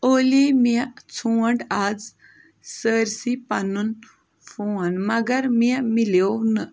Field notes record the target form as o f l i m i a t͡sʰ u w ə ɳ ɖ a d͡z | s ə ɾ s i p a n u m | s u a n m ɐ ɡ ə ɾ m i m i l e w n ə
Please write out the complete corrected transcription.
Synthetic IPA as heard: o l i m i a t͡sʰ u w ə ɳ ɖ a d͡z | s ə ɾ s i p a n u n | f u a n m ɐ ɡ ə ɾ m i m i l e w n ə